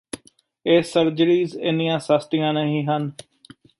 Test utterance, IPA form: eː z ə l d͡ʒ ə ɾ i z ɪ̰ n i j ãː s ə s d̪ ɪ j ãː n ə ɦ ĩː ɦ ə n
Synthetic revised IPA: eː s ə ɾ d͡ʒ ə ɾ iː z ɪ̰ n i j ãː s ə s t̪ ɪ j ãː n ə ɦ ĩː ɦ ə n